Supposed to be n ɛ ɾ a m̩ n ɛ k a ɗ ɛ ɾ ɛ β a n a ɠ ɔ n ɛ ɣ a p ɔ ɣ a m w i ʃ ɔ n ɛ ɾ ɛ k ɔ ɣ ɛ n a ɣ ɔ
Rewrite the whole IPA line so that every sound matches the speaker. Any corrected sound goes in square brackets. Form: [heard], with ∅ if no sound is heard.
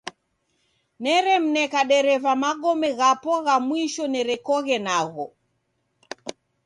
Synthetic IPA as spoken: n ɛ ɾ [ɛ] m̩ n ɛ k a ɗ ɛ ɾ ɛ [v] a [m] a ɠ ɔ [m] ɛ ɣ a p ɔ ɣ a m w i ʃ ɔ n ɛ ɾ ɛ k ɔ ɣ ɛ n a ɣ ɔ

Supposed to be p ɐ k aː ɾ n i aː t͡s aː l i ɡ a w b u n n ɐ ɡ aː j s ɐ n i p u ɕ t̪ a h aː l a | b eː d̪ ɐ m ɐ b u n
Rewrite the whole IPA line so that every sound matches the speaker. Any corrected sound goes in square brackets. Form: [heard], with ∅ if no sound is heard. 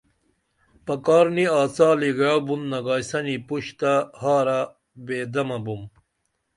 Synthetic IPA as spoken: p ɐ k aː ɾ n i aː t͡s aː l i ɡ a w b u n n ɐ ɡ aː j s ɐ n i p u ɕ t̪ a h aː [ɾ] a | b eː d̪ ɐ m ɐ b u [m]

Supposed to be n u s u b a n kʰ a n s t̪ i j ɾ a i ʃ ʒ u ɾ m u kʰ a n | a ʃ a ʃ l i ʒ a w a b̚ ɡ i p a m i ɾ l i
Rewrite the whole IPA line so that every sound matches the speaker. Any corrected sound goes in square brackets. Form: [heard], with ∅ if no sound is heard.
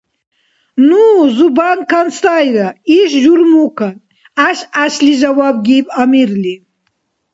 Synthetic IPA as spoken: n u [z] u b a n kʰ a n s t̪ [a] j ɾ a i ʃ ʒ u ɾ m u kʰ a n | a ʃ a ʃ l i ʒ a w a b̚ ɡ i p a m i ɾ l i

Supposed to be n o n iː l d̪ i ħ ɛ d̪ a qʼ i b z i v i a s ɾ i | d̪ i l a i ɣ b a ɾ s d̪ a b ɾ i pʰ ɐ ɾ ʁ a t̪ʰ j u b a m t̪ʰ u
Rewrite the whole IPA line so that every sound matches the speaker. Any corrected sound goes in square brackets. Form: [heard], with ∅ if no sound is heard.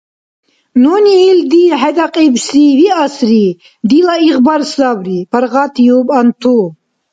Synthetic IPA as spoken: n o n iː l d̪ i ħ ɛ d̪ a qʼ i b [s] i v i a s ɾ i | d̪ i l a i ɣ b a ɾ s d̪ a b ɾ i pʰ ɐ ɾ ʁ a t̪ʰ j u b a [n] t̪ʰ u

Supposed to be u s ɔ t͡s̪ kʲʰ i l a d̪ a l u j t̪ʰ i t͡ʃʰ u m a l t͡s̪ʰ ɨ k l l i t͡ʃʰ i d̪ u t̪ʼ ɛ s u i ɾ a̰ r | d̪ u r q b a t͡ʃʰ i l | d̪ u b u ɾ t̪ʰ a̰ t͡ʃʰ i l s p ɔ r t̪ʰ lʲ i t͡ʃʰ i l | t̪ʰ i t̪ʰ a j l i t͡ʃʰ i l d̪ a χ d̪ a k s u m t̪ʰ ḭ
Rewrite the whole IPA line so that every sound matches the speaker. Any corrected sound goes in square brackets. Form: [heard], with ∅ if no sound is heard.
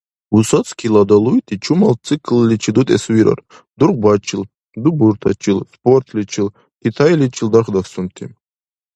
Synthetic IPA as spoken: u s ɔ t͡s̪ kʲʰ i l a d̪ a l u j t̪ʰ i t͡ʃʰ u m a l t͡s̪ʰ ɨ k l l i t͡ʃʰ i d̪ u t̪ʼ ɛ s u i ɾ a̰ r | d̪ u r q b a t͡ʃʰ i l | d̪ u b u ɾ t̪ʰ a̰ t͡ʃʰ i l s p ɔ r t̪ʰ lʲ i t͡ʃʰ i l | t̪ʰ i t̪ʰ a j l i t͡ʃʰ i l d̪ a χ d̪ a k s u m t̪ʰ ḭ

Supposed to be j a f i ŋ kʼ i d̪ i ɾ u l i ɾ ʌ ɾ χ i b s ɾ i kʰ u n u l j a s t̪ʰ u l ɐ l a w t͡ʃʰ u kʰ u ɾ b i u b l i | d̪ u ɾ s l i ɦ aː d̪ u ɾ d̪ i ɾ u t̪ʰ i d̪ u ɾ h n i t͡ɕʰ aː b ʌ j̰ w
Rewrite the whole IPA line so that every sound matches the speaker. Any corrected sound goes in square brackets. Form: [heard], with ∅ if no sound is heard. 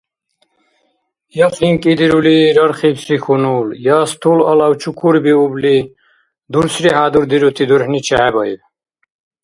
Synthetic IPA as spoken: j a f i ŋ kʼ i d̪ i ɾ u l i ɾ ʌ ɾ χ i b s ɾ i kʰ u n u l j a s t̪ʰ u l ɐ l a w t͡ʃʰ u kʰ u ɾ b i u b l i | d̪ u ɾ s [ɾ] i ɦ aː d̪ u ɾ d̪ i ɾ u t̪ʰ i d̪ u ɾ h n i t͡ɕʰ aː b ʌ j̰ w

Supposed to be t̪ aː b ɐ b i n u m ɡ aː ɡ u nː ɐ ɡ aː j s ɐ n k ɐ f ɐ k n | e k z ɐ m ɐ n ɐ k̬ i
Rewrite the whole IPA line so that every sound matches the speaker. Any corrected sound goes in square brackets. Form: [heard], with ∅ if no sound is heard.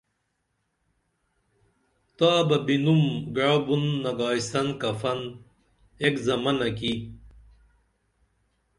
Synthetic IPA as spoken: t̪ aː b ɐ b i n u m ɡ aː [b] u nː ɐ ɡ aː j s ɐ n k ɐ f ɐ [∅] n | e k z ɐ m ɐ n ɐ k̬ i

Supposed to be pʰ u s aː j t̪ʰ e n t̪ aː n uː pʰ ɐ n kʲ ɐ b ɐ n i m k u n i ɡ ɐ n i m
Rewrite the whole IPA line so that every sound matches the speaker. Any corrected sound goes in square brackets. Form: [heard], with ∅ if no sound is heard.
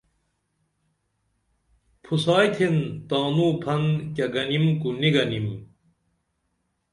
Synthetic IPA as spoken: pʰ u s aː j t̪ʰ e n t̪ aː n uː pʰ ɐ n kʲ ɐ [ɡ] ɐ n i m k u n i ɡ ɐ n i m

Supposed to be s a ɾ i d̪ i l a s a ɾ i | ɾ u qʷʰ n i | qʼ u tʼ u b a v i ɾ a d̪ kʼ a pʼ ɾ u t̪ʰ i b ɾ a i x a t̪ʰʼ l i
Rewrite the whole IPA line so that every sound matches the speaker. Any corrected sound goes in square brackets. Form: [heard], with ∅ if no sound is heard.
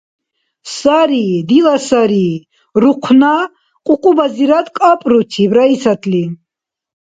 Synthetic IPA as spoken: s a ɾ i d̪ i l a s a ɾ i | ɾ u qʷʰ n [a] | qʼ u [qʼ] u b a [z] i ɾ a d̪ kʼ a pʼ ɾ u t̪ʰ i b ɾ a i [s] a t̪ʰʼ l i

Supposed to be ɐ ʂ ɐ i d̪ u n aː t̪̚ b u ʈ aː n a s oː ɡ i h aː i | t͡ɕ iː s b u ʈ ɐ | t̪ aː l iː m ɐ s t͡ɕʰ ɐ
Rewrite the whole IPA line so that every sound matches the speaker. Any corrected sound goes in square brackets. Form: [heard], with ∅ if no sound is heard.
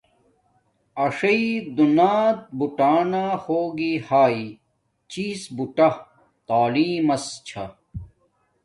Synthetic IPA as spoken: ɐ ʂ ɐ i d̪ u n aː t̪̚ b u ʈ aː n a [h] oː ɡ i h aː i | t͡ɕ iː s b u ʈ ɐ | t̪ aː l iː m ɐ s t͡ɕʰ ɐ

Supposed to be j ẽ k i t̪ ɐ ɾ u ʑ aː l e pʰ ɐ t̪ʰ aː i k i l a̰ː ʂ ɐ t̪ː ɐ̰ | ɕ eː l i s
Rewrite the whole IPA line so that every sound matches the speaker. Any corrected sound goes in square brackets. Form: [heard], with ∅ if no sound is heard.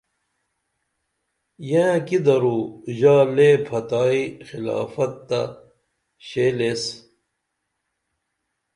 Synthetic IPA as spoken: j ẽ k i [d̪] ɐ ɾ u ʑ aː l e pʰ ɐ [t̪] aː i [x] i l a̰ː [f] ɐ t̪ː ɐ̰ | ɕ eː l [e] s

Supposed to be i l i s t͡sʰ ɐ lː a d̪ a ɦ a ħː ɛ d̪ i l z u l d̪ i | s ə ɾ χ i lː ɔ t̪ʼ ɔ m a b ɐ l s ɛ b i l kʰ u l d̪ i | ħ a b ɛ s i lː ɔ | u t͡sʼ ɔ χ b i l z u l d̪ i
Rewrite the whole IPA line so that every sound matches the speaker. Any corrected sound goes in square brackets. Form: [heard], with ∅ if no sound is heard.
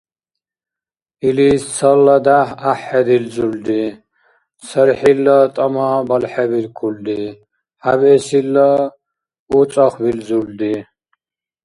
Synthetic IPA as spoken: i l i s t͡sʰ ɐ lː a d̪ a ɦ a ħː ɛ d̪ i l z u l d̪ i | s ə ɾ [ħ] i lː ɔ t̪ʼ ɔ m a b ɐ l [ħ] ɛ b i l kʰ u l d̪ i | [h] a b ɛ s i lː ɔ | u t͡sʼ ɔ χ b i l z u l d̪ i

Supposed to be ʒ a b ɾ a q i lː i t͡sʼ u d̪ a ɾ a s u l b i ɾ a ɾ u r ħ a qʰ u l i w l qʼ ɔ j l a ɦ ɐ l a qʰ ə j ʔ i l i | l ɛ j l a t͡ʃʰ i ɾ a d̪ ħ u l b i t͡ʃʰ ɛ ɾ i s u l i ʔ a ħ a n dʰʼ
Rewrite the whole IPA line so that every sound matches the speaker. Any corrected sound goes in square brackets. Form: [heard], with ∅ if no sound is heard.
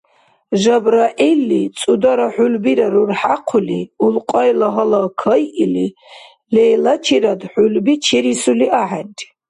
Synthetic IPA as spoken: ʒ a b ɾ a [ʔ] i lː i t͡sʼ u d̪ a ɾ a [ħ] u l b i ɾ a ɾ u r ħ a qʰ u l i [u] l qʼ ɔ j l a ɦ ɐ l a [kʰ] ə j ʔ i l i | l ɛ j l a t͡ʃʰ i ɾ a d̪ ħ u l b i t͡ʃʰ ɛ ɾ i s u l i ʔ a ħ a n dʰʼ

